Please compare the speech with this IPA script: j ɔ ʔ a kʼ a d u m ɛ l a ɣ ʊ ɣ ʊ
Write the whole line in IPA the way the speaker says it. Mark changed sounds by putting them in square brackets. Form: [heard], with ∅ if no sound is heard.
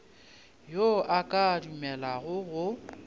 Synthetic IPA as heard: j [o] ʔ a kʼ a d u m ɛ l a ɣ ʊ ɣ ʊ